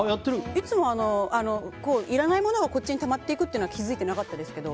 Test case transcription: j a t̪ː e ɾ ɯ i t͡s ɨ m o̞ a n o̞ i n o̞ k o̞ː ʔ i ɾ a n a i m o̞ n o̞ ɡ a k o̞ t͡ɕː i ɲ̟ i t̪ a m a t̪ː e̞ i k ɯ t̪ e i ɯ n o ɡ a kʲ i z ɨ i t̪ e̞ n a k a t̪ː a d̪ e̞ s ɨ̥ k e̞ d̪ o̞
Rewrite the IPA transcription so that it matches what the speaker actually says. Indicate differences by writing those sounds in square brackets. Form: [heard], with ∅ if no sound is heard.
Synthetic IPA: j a t̪ː e ɾ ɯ i t͡s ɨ m o̞ a n o̞ [a] n o̞ k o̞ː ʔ i ɾ a n a i m o̞ n o̞ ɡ a k o̞ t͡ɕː i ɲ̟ i t̪ a m a t̪ː e̞ i k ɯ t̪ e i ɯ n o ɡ a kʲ i z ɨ i t̪ e̞ n a k a t̪ː a d̪ e̞ s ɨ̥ k e̞ d̪ o̞